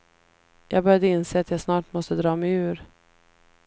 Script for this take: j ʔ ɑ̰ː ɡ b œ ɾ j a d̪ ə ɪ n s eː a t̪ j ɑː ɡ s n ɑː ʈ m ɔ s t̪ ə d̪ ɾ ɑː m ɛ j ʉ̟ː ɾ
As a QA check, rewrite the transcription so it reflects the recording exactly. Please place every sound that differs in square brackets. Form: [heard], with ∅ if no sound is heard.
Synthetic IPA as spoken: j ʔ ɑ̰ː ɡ b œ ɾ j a d̪ ə ɪ n s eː a t̪ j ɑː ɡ s n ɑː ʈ m ɔ s t̪ ə d̪ ɾ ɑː m ɛ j ʉ̟ː ɾ

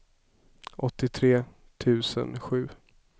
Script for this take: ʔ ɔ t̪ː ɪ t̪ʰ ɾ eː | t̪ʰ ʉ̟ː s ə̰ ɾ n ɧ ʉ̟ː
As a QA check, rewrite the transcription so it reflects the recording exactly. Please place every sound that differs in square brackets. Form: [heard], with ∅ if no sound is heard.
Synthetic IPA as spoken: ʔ ɔ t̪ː ɪ t̪ʰ ɾ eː | t̪ʰ ʉ̟ː s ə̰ [∅] n ɧ ʉ̟ː

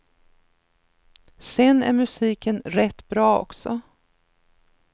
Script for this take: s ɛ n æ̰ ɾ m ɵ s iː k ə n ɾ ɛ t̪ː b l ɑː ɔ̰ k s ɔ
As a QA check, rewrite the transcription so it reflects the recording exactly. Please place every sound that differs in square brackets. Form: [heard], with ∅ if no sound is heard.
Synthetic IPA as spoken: s ɛ n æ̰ ɾ m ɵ s iː k ə n ɾ ɛ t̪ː b [ɾ] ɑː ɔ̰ k s ɔ

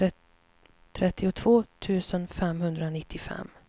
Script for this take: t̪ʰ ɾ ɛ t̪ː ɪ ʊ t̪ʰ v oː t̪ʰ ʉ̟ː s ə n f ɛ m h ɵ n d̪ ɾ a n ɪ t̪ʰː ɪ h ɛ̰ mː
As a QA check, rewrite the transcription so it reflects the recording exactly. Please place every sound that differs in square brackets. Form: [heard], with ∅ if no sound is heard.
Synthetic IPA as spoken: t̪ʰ ɾ ɛ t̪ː ɪ ʊ t̪ʰ v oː t̪ʰ ʉ̟ː s ə n f ɛ m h ɵ n d̪ ɾ a n ɪ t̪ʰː ɪ [f] ɛ̰ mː

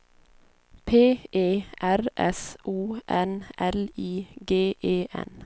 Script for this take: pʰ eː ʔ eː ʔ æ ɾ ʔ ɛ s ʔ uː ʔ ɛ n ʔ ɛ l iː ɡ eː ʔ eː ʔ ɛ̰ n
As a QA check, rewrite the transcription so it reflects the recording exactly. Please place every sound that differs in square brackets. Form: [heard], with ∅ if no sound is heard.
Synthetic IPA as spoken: pʰ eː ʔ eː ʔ æ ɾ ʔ ɛ s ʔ uː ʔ ɛ n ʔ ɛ l iː ɡ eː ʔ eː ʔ ɛ̰ n

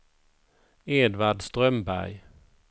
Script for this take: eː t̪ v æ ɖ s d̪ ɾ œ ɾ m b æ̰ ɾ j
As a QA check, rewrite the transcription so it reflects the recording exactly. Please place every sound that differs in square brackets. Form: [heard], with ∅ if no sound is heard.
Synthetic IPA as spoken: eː [d̪] v [a] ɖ s [t̪] ɾ œ [∅] m b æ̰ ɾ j

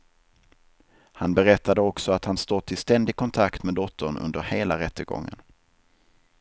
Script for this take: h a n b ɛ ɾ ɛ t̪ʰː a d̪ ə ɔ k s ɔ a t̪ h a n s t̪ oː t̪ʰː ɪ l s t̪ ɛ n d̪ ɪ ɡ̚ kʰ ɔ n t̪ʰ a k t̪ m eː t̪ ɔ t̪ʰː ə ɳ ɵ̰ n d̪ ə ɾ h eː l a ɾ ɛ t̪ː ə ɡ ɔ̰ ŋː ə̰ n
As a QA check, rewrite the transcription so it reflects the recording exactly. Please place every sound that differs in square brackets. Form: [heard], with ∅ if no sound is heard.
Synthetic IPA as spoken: h a n b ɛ ɾ ɛ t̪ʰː a d̪ ə ɔ k s ɔ a t̪ h a n s t̪ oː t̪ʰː ɪ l s t̪ ɛ n d̪ ɪ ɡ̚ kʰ ɔ n t̪ʰ a k t̪ m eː [d̪] ɔ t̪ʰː ə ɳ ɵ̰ n d̪ ə ɾ h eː l a ɾ ɛ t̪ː ə ɡ ɔ̰ ŋː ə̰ n

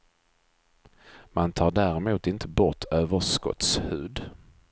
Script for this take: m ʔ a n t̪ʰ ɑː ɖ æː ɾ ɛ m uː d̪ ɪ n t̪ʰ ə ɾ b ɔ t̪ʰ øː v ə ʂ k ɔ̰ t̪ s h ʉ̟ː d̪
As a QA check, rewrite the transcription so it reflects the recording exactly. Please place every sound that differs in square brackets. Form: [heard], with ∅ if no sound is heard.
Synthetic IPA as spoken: m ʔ a n t̪ʰ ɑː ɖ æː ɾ ɛ m uː [t̪] ɪ n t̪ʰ ə [∅] b ɔ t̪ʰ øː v ə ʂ k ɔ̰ t̪ s h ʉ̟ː d̪

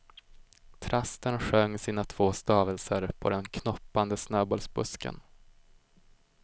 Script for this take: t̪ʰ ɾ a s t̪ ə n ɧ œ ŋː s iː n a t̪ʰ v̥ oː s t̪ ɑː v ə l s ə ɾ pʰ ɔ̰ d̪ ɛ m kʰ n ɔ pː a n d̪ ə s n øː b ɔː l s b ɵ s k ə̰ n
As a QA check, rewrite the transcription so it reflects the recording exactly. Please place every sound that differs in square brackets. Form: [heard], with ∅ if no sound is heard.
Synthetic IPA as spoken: t̪ʰ ɾ a s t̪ ə n ɧ œ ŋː s iː n a t̪ʰ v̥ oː s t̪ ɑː v ə l s ə ɾ pʰ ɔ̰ d̪ ɛ [n] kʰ n ɔ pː a n d̪ ə s n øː b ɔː l s b ɵ s k ə̰ n

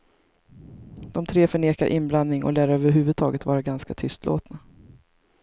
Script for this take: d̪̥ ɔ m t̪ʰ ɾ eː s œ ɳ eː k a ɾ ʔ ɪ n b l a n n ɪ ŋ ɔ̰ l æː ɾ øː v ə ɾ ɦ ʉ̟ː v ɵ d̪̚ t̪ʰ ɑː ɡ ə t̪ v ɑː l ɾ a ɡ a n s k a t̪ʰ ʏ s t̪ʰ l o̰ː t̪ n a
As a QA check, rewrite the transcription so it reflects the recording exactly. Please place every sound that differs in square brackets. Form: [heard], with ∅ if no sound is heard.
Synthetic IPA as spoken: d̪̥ ɔ m t̪ʰ ɾ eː [f] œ ɳ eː k a ɾ ʔ ɪ n b l a n n ɪ ŋ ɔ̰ l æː ɾ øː v ə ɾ ɦ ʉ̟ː v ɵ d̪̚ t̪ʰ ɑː ɡ ə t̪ v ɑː [∅] ɾ a ɡ a n s k a t̪ʰ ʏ s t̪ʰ l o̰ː t̪ n a

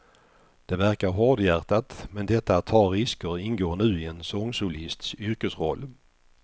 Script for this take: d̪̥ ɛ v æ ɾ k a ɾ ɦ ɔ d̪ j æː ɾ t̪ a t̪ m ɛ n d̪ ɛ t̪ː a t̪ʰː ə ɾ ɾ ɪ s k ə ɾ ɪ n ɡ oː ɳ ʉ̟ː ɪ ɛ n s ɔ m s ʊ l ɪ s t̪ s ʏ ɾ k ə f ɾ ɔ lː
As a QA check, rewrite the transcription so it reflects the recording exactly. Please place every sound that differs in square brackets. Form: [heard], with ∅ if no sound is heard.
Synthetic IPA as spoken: d̪̥ ɛ v æ ɾ k a ɾ ɦ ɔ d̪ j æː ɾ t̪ a t̪ m ɛ n d̪ ɛ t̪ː a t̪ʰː [ɑ] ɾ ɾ ɪ s k ə ɾ ɪ n ɡ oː ɳ ʉ̟ː ɪ ɛ n s ɔ [ŋ] s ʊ l ɪ s t̪ s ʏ ɾ k ə [s] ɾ ɔ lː

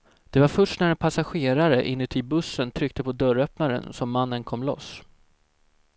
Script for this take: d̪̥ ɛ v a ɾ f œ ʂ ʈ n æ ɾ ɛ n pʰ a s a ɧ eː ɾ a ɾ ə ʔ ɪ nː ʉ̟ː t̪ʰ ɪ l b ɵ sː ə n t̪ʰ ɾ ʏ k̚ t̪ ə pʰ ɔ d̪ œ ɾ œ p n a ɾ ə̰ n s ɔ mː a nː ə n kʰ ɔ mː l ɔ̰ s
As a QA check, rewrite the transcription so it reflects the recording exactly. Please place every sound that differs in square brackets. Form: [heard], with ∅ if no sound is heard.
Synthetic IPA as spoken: d̪̥ ɛ v a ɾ f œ ʂ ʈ n æ ɾ ɛ n pʰ a s a ɧ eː ɾ a ɾ ə ʔ ɪ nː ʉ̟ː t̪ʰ ɪ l b ɵ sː ə n t̪ʰ ɾ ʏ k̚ t̪ ə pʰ ɔ d̪ œ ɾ œ p n a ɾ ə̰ n s ɔ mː a nː ə n kʰ ɔ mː l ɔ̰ s

